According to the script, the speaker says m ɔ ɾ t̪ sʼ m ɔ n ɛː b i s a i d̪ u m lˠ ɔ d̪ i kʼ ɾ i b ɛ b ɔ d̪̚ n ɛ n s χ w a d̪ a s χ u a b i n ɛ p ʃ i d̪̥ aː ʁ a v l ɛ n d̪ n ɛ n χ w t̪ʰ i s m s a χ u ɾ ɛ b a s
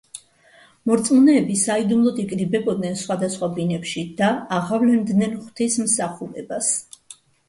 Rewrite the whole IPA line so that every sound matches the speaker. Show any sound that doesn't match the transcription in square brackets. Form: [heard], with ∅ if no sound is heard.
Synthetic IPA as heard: m ɔ ɾ t̪ sʼ m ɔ n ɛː b i s a i d̪ u m lˠ ɔ d̪ i kʼ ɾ i b ɛ b ɔ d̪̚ n ɛ n s χ w a d̪ a s χ [w] a b i n ɛ p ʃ i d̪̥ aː ʁ a v l ɛ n d̪ n ɛ n χ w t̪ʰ i s m s a χ u ɾ ɛ b a s